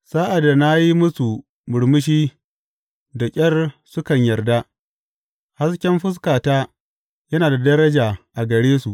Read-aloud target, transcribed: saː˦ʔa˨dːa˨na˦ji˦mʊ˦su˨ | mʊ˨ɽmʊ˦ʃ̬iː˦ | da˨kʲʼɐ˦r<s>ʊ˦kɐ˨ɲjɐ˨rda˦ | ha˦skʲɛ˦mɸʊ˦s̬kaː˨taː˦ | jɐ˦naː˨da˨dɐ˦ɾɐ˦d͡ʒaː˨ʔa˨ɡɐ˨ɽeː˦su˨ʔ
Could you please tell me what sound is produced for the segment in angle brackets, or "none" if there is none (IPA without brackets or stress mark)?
s